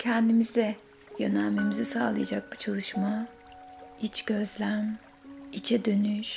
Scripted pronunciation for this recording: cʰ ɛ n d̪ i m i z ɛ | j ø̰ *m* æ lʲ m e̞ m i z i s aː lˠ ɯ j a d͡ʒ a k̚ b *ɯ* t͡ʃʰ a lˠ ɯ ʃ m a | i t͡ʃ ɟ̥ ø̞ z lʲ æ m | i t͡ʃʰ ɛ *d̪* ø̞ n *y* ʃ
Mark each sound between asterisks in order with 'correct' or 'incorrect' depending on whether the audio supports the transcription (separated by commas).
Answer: incorrect, incorrect, correct, correct